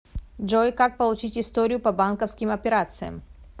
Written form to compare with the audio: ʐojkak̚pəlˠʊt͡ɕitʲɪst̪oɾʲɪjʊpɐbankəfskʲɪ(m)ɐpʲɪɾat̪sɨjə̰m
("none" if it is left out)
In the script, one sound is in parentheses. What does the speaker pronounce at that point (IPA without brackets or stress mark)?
m